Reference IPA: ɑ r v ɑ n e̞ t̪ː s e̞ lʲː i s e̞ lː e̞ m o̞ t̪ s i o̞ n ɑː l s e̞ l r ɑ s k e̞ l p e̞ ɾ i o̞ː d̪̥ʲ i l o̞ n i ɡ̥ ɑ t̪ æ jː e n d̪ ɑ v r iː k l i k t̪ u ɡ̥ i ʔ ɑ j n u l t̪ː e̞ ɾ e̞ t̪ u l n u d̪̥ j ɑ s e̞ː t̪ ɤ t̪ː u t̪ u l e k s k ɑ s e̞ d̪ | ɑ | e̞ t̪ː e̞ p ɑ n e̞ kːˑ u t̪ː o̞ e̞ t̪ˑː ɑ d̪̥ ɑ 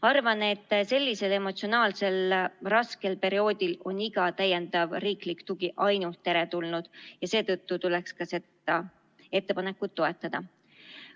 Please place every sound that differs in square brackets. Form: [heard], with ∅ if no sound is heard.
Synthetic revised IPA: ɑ r v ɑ n e̞ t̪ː s e̞ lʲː i s e̞ [l] e̞ m o̞ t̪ s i o̞ n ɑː l s e̞ l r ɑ s k e̞ l p e̞ ɾ i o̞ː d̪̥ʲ i l o̞ n i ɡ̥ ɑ t̪ æ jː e n d̪ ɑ v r iː k l i k t̪ u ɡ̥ i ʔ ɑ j n u l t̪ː e̞ ɾ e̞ t̪ u l n u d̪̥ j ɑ s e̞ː t̪ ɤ t̪ː u t̪ u l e k s k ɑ s e̞ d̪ | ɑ | e̞ t̪ː e̞ p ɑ n e̞ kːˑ u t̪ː o̞ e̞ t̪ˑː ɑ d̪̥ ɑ